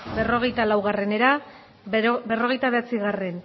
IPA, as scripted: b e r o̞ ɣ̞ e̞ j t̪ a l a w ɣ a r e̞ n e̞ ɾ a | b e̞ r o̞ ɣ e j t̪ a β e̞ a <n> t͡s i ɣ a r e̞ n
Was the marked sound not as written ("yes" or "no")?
yes